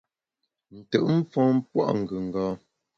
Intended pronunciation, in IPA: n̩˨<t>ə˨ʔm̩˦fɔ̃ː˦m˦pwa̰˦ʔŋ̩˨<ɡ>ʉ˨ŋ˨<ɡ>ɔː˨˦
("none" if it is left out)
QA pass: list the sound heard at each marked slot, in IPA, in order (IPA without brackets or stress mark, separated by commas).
t, ɡ, ɡ